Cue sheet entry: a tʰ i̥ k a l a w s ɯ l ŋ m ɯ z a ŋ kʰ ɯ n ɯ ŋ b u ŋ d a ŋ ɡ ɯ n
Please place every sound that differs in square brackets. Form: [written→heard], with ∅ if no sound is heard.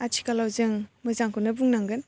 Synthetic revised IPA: a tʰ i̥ k a l a w [s→z] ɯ [l→∅] ŋ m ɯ z a ŋ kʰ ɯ n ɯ [ŋ→∅] b u ŋ [d→n] a ŋ ɡ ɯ n